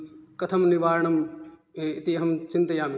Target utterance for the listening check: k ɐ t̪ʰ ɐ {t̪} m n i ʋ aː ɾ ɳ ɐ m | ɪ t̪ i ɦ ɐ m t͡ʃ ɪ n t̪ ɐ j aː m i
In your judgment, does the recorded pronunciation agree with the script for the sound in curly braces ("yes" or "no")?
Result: no